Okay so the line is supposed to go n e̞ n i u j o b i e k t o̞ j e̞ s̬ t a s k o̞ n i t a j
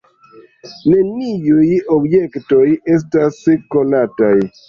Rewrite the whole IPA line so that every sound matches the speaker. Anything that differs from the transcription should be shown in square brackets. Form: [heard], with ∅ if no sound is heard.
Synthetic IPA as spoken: n e̞ n i u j o b [j] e k t o̞ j e̞ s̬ t a s k o̞ n [a] t a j